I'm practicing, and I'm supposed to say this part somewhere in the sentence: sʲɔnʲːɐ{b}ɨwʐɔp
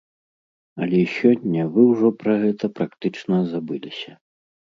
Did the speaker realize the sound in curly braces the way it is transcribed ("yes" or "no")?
no